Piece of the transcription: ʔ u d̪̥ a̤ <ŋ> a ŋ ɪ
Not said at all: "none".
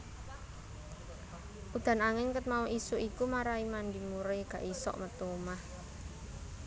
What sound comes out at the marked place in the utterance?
n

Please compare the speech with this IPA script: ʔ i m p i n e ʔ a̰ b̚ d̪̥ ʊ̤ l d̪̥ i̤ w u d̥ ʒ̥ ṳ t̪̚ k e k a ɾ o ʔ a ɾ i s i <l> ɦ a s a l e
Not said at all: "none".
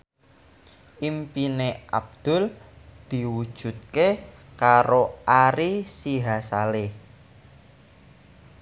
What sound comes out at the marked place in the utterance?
none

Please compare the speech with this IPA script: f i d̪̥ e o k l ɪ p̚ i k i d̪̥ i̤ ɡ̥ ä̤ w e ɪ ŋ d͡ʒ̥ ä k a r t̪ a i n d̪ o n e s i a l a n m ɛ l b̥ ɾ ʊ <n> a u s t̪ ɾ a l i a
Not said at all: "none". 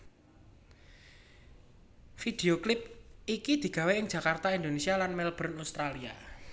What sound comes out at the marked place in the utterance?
n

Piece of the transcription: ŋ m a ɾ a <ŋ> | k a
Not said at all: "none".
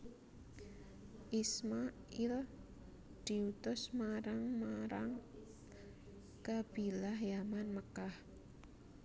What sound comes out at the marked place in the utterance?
ŋ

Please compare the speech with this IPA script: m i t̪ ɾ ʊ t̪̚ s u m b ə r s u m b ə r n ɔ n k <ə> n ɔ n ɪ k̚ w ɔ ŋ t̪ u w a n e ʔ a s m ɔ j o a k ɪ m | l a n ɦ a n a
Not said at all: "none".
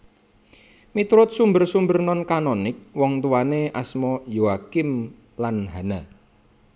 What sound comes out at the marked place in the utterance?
a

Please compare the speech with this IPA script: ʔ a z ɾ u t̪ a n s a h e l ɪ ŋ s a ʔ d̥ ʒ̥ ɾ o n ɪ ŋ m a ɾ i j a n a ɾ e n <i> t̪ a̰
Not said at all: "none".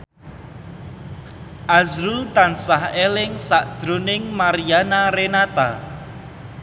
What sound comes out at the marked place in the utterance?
a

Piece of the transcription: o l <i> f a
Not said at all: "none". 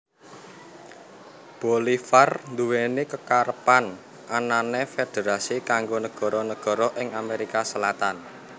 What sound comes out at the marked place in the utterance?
i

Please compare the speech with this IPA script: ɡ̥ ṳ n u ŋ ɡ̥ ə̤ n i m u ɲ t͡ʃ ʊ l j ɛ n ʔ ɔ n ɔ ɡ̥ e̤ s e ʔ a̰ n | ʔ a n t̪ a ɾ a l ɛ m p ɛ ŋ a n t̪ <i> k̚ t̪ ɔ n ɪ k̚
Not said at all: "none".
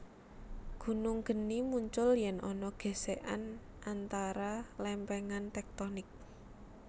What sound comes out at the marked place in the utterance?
ɛ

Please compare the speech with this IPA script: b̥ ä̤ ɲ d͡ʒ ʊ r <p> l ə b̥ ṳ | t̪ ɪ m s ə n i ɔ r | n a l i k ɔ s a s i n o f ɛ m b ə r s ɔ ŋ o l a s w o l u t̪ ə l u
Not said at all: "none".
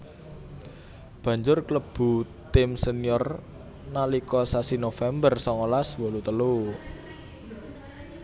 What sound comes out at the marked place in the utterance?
k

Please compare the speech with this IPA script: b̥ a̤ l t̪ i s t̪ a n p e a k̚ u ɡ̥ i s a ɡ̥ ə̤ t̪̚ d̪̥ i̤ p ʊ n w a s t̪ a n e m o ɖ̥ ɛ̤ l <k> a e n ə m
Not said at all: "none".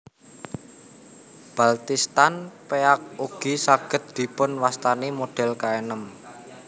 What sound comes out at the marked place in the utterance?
k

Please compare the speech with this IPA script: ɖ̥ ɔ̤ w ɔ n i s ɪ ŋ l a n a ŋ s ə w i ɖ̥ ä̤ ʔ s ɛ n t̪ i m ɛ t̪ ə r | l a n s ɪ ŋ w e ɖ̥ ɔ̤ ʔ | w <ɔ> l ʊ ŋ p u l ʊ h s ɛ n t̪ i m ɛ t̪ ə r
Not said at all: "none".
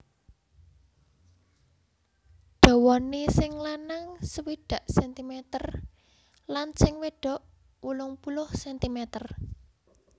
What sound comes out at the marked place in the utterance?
u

